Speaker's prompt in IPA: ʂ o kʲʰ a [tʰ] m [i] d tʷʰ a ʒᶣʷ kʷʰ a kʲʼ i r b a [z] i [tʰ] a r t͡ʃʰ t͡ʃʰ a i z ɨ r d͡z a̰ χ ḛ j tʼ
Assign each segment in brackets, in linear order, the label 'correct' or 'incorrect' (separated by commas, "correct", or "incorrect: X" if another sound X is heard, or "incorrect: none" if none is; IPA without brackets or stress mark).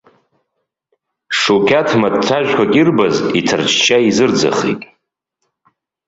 correct, incorrect: a, correct, correct